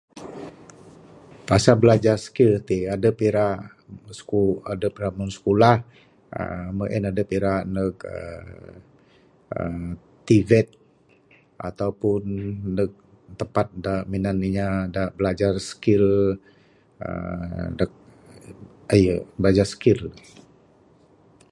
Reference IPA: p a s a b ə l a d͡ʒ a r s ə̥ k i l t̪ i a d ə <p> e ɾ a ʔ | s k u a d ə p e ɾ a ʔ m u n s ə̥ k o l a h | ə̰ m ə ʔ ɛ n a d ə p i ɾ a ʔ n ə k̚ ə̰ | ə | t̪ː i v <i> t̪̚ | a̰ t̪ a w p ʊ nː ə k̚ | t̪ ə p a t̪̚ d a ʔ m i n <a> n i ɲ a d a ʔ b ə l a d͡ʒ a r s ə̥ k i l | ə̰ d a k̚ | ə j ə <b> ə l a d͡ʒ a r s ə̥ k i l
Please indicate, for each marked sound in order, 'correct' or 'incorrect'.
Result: correct, incorrect, correct, correct

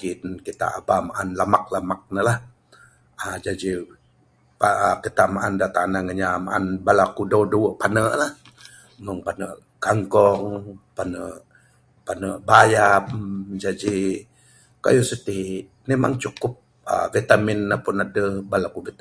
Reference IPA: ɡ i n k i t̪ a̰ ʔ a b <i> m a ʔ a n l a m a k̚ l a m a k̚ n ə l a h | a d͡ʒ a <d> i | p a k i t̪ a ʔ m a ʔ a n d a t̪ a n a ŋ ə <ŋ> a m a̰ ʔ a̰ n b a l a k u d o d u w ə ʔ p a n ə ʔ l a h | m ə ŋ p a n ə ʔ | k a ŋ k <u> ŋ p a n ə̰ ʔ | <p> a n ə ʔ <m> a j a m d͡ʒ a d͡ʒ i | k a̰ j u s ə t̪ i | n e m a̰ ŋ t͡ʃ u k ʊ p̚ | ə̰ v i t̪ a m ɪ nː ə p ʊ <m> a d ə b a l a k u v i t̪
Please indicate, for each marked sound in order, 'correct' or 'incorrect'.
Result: incorrect, incorrect, incorrect, incorrect, correct, incorrect, incorrect

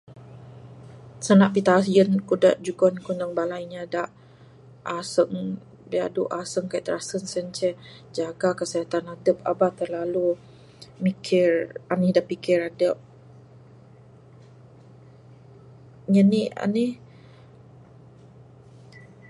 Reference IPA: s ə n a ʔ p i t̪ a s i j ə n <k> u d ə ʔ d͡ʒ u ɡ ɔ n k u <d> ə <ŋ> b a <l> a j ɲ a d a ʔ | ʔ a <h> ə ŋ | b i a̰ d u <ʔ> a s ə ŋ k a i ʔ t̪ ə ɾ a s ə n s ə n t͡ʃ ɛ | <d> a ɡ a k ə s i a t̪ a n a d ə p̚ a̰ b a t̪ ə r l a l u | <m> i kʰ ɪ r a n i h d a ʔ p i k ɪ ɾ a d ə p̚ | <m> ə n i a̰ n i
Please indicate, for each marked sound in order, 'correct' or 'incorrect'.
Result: correct, incorrect, correct, correct, incorrect, correct, incorrect, correct, incorrect

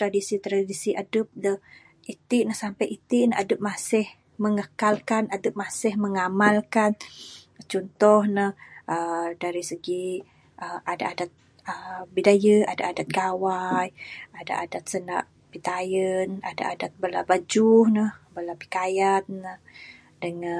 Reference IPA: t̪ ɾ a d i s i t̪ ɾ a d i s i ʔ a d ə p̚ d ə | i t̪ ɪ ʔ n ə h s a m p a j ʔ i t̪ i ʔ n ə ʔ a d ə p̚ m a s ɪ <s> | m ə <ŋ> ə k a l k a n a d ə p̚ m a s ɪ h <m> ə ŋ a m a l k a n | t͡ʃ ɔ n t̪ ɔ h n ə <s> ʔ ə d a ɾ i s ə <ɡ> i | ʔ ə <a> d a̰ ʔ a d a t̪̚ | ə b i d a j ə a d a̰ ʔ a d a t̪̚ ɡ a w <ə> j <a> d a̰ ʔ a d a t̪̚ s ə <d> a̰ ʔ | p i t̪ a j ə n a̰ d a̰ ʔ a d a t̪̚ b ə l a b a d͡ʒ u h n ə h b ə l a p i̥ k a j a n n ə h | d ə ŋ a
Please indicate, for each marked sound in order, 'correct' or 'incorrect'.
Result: incorrect, correct, correct, incorrect, correct, correct, incorrect, correct, incorrect

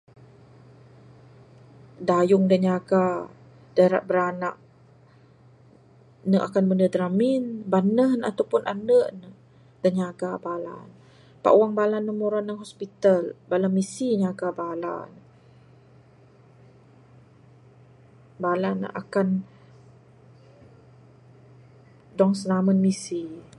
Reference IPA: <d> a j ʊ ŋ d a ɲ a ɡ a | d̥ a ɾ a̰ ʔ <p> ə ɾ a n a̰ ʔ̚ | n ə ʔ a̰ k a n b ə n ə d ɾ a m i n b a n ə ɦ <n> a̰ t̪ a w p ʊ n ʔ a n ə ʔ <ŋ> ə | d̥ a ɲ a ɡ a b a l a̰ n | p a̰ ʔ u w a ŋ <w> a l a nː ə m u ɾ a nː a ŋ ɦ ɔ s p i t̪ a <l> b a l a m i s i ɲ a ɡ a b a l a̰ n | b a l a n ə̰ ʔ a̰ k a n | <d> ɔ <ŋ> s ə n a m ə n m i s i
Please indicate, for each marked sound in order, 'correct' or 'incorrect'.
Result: correct, incorrect, correct, incorrect, incorrect, correct, correct, correct

